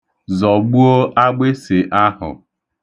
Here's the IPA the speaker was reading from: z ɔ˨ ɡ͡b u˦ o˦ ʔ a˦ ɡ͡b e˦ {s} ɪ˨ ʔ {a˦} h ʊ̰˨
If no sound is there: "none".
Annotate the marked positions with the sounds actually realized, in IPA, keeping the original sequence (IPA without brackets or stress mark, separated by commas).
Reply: s, a˦